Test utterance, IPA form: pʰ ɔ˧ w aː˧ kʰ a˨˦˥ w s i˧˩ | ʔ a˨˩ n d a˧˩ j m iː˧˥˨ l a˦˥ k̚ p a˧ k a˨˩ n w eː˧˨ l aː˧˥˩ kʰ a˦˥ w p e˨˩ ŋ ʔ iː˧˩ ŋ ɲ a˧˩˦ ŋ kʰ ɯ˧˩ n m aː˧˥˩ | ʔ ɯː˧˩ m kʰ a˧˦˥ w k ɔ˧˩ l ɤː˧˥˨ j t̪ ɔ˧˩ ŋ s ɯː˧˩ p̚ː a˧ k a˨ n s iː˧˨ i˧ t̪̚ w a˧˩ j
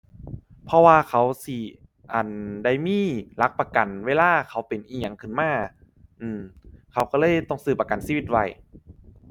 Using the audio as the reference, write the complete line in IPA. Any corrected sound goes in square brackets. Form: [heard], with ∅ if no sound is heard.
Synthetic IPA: pʰ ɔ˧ w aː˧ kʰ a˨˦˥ w s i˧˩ | ʔ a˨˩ n d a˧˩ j m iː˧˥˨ l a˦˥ k̚ p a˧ k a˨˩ n w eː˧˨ l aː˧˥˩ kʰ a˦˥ w p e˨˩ [n] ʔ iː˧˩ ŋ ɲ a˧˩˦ ŋ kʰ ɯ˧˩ n m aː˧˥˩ | ʔ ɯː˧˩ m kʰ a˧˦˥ w k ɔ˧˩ l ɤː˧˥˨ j t̪ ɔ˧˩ ŋ s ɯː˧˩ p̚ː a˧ k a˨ n s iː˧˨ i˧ t̪̚ w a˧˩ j